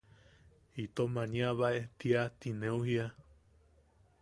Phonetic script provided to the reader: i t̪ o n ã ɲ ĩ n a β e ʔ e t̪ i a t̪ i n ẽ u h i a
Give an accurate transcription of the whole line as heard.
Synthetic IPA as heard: i t̪ o m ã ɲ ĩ a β a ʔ e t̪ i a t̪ i n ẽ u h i a